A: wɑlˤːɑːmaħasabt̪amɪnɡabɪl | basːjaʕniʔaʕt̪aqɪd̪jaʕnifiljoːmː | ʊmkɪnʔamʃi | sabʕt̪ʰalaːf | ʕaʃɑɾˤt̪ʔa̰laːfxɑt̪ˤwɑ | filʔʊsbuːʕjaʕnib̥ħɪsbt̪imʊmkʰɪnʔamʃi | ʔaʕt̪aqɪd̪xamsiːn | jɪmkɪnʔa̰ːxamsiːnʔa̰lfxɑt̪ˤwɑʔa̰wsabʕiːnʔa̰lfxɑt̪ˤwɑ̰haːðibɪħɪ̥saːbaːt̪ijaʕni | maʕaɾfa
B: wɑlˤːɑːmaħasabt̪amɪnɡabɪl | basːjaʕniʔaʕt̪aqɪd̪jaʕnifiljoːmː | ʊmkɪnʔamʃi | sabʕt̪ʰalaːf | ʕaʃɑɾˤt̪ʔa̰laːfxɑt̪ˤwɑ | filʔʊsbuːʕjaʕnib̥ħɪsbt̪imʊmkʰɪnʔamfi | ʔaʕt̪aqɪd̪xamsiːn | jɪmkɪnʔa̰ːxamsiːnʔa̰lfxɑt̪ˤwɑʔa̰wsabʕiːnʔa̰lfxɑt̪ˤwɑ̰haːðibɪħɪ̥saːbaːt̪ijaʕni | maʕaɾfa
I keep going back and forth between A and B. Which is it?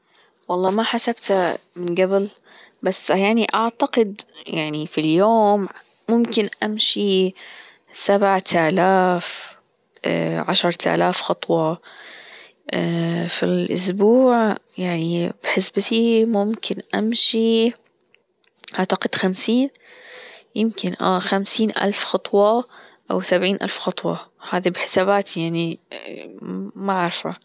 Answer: A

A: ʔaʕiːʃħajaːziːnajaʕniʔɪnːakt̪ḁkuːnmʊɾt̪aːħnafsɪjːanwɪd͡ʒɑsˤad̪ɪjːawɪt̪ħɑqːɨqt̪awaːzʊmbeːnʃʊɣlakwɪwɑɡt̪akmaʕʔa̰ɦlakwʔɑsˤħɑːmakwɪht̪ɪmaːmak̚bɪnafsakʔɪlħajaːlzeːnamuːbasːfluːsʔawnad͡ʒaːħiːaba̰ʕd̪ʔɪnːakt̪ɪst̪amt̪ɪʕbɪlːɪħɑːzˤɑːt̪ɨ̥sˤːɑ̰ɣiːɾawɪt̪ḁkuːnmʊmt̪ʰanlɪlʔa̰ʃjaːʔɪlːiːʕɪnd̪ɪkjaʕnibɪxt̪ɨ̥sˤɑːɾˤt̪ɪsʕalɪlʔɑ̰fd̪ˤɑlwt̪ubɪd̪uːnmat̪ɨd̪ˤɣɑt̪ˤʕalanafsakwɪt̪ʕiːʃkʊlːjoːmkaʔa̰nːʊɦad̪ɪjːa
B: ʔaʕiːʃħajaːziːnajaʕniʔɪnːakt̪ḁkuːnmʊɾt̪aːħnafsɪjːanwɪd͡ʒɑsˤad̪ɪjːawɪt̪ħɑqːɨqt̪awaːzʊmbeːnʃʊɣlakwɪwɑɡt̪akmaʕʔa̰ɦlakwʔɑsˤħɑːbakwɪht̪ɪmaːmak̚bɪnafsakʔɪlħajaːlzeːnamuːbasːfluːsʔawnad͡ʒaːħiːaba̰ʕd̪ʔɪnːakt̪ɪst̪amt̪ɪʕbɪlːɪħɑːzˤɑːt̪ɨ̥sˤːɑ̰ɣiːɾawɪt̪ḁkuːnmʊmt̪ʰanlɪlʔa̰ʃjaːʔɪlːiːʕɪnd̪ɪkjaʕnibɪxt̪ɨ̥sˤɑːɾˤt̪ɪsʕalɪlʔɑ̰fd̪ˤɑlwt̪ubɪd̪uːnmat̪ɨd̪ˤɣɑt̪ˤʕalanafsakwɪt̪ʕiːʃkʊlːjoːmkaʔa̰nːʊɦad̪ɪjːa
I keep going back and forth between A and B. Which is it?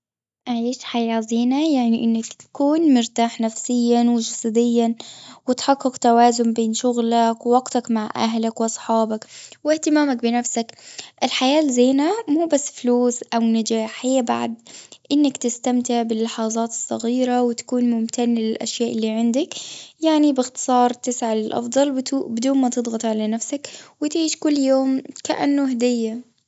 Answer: B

